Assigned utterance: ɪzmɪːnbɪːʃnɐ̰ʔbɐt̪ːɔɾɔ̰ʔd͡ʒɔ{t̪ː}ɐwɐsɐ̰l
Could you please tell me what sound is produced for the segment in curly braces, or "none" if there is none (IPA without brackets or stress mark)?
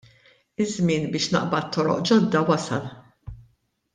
d̪ː